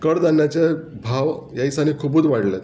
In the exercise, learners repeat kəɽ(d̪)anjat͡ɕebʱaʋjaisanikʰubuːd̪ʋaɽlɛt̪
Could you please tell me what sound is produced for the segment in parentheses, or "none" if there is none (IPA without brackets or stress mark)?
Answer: d̪